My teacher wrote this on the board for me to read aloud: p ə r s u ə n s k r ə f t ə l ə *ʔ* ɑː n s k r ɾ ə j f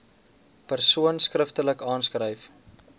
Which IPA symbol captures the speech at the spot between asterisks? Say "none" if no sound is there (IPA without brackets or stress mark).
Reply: k